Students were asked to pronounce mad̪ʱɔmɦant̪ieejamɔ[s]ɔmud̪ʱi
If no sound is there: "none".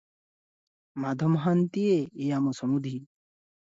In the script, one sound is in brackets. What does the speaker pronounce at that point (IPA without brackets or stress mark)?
s